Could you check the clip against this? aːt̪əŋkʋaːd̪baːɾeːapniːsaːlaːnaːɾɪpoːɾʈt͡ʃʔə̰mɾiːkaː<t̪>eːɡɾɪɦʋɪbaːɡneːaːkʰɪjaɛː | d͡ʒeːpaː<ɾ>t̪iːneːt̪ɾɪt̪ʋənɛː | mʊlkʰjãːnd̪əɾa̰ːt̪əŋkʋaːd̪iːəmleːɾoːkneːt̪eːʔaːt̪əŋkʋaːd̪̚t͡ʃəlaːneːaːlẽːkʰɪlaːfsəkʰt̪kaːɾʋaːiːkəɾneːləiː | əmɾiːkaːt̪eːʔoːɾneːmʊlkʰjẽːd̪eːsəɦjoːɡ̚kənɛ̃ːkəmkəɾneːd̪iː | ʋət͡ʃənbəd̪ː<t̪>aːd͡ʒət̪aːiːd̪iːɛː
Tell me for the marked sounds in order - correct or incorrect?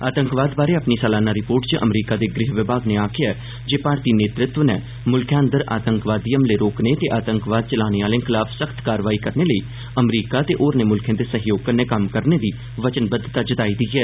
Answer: incorrect, correct, correct

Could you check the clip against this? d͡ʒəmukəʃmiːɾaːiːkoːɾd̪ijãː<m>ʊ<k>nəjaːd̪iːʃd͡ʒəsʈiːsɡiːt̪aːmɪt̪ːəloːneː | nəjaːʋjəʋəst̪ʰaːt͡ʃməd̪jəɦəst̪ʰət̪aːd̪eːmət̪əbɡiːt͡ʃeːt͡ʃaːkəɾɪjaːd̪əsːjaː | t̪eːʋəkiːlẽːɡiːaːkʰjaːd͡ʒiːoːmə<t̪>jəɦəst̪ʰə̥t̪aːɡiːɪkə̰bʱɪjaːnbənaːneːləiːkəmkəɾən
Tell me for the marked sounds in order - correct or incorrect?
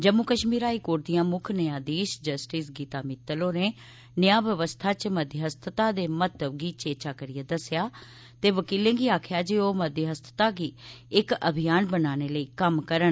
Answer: correct, incorrect, incorrect

